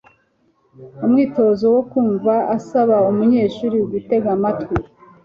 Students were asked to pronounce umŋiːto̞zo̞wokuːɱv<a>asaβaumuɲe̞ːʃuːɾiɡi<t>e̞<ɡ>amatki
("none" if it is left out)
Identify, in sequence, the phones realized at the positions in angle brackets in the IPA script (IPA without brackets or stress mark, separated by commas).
a, t, ɡ